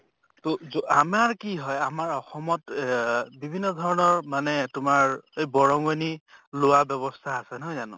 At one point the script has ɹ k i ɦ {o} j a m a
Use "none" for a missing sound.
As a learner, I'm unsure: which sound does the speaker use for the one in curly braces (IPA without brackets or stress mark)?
ɔ